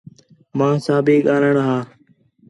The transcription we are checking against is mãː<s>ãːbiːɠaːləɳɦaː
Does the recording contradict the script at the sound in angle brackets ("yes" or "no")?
no